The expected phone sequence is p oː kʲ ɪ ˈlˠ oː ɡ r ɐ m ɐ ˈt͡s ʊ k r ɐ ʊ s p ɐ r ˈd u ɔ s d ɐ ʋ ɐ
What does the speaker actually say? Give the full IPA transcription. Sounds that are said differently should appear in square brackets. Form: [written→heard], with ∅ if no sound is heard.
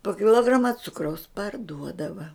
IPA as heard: p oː kʲ ɪ ˈlˠ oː ɡ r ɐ m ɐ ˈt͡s ʊ k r ɐ ʊ s p ɐ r ˈd u ɔ [s→∅] d ɐ ʋ ɐ